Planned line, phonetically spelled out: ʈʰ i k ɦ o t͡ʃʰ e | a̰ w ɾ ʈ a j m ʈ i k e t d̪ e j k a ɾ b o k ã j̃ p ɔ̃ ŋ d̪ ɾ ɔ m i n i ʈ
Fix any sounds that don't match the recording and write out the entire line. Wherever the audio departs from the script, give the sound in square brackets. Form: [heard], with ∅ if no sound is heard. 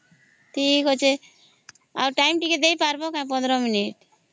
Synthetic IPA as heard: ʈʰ i k ɦ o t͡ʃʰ e | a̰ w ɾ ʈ a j m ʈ i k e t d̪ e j [p] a ɾ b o k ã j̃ p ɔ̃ [n] d̪ ɾ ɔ m i n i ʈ